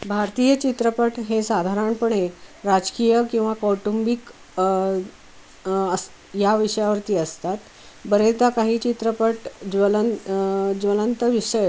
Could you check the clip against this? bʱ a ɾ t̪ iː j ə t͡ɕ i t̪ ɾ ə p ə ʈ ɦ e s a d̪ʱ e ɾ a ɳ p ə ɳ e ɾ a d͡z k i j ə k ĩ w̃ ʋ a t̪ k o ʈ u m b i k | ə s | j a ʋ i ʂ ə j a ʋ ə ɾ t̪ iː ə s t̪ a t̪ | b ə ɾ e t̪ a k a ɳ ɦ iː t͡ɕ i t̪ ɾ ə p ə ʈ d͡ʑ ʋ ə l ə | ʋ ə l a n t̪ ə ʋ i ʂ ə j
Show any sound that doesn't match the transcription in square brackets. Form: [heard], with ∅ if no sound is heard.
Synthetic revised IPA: bʱ a ɾ t̪ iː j ə t͡ɕ i t̪ ɾ ə p ə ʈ ɦ e s a d̪ʱ [a] ɾ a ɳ p ə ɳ e ɾ a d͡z k i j ə k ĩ w̃ ʋ a [∅] k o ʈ u m b i k | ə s | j a ʋ i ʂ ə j a ʋ ə ɾ t̪ iː ə s t̪ a t̪ | b ə ɾ e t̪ a k a [∅] ɦ iː t͡ɕ i t̪ ɾ ə p ə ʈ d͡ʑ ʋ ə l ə | ʋ ə l [ə] n t̪ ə ʋ i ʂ ə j